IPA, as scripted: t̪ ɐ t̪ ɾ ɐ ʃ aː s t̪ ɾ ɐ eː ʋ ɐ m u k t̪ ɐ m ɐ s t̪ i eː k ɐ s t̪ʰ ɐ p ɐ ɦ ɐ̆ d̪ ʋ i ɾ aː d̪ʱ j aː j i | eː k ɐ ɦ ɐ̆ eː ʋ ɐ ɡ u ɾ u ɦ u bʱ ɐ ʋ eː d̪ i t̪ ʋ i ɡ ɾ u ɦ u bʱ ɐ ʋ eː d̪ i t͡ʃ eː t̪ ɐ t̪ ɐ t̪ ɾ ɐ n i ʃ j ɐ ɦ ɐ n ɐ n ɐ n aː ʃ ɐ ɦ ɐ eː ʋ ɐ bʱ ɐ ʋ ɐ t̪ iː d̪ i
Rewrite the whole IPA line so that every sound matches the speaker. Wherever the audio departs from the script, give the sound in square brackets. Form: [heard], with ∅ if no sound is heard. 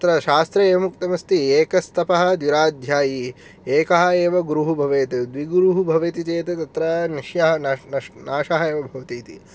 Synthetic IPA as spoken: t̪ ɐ t̪ ɾ ɐ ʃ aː s t̪ ɾ ɐ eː ʋ ɐ m u k t̪ ɐ m ɐ s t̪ i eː k ɐ s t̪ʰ ɐ p ɐ ɦ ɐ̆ d̪ ʋ i ɾ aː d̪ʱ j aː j i | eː k ɐ ɦ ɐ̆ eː ʋ ɐ ɡ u ɾ u ɦ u bʱ ɐ ʋ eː [t̪] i [d̪] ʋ i ɡ ɾ u ɦ u bʱ ɐ ʋ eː [t̪] i t͡ʃ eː t̪ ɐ t̪ ɐ t̪ ɾ ɐ n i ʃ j ɐ ɦ ɐ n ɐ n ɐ n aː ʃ ɐ ɦ ɐ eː ʋ ɐ bʱ ɐ ʋ ɐ t̪ iː [t̪] i